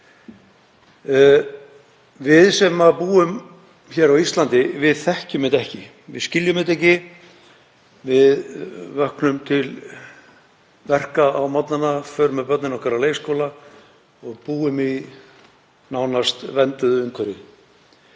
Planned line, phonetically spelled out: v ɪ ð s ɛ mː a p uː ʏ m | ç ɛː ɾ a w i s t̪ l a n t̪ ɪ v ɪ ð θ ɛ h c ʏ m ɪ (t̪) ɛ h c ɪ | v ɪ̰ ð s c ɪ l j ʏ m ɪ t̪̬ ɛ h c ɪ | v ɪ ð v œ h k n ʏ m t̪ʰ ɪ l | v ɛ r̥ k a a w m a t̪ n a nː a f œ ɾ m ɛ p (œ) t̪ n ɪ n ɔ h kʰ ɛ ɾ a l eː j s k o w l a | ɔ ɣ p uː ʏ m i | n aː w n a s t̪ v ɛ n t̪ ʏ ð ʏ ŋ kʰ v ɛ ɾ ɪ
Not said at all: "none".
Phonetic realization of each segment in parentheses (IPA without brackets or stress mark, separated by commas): t̪, œ